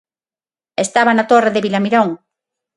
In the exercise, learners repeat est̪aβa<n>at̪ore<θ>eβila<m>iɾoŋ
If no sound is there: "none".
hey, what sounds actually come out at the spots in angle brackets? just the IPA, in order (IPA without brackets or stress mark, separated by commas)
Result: n, ð, m